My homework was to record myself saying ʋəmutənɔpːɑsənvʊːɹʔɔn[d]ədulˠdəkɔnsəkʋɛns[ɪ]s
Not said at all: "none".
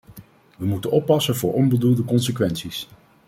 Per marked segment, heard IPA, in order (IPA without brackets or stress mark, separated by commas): b, i